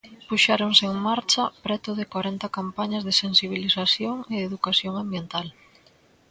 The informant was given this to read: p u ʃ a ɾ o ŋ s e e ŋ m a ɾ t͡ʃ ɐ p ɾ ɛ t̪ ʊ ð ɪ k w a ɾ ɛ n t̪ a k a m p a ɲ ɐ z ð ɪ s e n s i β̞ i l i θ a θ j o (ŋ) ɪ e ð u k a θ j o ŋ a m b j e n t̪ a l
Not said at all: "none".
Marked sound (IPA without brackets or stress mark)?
ŋ